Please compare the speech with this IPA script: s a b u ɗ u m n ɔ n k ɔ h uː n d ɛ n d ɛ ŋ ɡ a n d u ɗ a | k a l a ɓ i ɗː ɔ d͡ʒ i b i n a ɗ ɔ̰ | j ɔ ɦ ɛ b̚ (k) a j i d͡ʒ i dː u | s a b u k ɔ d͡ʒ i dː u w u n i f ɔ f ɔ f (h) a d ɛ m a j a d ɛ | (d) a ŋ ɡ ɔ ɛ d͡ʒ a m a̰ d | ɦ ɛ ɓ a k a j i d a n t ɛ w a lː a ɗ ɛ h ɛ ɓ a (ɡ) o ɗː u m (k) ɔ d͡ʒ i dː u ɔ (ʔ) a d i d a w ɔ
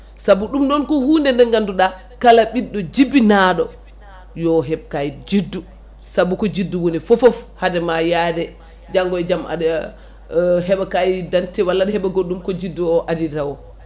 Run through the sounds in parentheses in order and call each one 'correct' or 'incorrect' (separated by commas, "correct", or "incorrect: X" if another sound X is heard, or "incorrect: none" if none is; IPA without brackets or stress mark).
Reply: correct, correct, incorrect: d͡ʒ, correct, correct, correct